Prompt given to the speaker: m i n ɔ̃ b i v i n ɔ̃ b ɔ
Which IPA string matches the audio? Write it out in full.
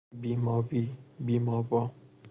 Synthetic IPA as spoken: b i m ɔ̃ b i b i m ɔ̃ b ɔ